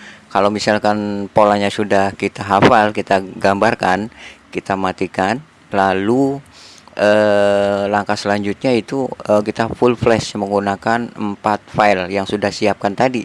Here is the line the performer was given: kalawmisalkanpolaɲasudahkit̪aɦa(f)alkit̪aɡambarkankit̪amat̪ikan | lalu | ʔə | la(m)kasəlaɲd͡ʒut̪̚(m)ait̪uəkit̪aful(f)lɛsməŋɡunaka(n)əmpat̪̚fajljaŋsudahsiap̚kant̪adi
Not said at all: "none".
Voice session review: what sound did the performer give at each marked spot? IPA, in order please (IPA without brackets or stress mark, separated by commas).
f, ŋ, ɲ, f, n